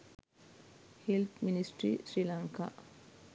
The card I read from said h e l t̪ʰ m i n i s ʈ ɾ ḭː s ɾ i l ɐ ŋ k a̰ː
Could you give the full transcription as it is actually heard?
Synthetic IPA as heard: h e l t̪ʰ m i n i s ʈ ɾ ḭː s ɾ i l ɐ ŋ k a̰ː